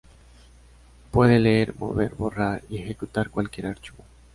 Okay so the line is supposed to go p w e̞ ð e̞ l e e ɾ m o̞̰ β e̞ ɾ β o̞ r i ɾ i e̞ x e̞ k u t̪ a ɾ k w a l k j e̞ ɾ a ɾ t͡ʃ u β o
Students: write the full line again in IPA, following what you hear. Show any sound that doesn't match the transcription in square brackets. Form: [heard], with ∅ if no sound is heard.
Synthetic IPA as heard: p w e̞ ð e̞ l e e ɾ m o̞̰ β e̞ ɾ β o̞ r [a] ɾ i e̞ x e̞ k u t̪ a ɾ k w a l k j e̞ ɾ a ɾ t͡ʃ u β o